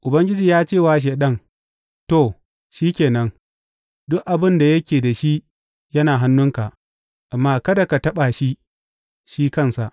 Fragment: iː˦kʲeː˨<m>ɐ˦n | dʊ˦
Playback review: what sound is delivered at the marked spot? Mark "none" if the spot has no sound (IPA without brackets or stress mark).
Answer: n